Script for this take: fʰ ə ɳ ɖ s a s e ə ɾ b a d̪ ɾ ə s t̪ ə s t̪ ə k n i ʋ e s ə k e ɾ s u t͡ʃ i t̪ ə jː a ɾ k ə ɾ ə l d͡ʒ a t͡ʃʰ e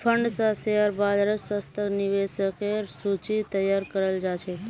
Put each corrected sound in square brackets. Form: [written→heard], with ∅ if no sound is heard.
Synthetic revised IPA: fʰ ə ɳ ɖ s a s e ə ɾ b a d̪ ɾ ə s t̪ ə s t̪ ə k n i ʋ e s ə k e ɾ s u t͡ʃ i t̪ ə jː a ɾ k ə ɾ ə l d͡ʒ a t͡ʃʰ e

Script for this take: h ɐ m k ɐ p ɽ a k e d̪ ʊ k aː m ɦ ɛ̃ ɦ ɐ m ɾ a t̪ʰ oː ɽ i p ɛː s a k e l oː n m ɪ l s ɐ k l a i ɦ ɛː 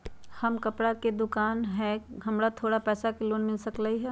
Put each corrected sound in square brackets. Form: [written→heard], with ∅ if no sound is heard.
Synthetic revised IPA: h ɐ m k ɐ p ɽ a k e d̪ ʊ k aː [m→n] ɦ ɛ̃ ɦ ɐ m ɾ a t̪ʰ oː ɽ [i→a] p ɛː s a k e l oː n m ɪ l s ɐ k l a i ɦ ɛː

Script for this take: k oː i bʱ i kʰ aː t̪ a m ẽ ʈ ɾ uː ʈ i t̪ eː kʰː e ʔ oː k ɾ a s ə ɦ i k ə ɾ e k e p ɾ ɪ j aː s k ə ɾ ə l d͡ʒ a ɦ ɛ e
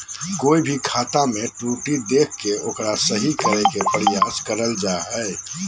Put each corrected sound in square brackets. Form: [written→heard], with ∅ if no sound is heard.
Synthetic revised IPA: k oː i bʱ i kʰ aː t̪ a m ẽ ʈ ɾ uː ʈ i [t̪→d̪] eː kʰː e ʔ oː k ɾ a s ə ɦ i k ə ɾ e k e p ɾ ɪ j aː s k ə ɾ ə l d͡ʒ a ɦ ɛ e

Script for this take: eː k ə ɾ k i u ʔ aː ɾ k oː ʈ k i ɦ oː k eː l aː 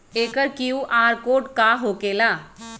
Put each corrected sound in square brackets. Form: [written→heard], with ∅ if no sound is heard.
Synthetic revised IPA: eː k ə ɾ k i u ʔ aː ɾ k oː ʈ k [i→a] ɦ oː k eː l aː

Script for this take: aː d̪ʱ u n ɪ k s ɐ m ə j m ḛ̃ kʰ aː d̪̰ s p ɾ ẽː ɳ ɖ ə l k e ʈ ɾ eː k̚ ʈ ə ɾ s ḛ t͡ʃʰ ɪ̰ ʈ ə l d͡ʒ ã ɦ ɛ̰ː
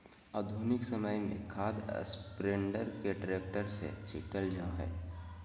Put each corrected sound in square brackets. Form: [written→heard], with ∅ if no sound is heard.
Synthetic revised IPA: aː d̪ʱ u n ɪ k s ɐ m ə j m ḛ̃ kʰ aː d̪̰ s p ɾ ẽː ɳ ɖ ə [l→ɾ] k e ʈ ɾ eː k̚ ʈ ə ɾ s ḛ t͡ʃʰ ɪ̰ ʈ ə l d͡ʒ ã ɦ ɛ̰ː

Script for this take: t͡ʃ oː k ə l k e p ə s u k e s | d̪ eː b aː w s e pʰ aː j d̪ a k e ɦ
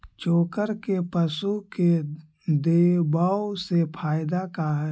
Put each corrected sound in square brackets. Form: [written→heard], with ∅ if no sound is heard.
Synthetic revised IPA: t͡ʃ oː k ə [l→ɾ] k e p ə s u k e [s→∅] | d̪ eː b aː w s e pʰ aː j d̪ a k [e→a] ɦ

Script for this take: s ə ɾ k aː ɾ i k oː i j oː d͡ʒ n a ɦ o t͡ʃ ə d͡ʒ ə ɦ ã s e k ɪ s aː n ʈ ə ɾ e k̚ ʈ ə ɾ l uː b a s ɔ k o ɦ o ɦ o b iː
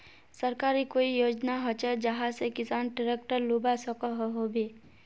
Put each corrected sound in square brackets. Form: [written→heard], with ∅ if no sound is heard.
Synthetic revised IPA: s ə ɾ k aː ɾ i k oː i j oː d͡ʒ n a ɦ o t͡ʃ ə d͡ʒ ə ɦ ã s e k ɪ s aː n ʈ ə ɾ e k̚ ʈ ə ɾ l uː b a s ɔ k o ɦ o ɦ o b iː

